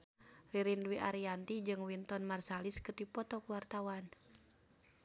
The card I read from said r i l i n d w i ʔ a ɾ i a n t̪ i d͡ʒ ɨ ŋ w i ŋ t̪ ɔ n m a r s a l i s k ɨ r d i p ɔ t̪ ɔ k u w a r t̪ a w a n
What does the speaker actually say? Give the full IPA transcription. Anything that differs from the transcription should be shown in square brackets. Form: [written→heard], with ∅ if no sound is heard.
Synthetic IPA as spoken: r i [l→ɾ] i n d w i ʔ a ɾ i a n t̪ i d͡ʒ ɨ ŋ w i [ŋ→n] t̪ ɔ n m a r s a l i s k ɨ r d i p ɔ t̪ ɔ k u w a r t̪ a w a n